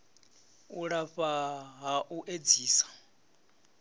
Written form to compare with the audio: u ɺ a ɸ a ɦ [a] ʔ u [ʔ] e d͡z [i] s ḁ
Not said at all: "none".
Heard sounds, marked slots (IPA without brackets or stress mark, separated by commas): a, ʔ, iː